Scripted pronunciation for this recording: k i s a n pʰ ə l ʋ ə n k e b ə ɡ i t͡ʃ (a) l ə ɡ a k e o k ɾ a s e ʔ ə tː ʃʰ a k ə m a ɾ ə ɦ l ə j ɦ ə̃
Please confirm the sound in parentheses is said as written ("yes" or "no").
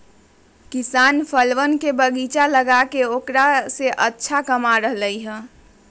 yes